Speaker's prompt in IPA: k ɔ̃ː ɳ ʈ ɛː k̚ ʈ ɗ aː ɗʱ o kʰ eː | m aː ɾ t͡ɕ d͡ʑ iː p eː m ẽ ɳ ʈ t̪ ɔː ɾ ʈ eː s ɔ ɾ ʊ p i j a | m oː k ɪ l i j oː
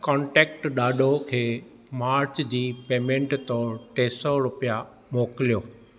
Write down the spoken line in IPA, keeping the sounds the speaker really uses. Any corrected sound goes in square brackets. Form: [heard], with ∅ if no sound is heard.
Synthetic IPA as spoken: k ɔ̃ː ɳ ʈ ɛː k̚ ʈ ɗ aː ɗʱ o kʰ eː | m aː ɾ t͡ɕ d͡ʑ iː p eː m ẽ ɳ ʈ t̪ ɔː ɾ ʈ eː s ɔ ɾ ʊ p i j a | m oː k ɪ l i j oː